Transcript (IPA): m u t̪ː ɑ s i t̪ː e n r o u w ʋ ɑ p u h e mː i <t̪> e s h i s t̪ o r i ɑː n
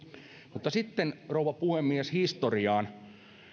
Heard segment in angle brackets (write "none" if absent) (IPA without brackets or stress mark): none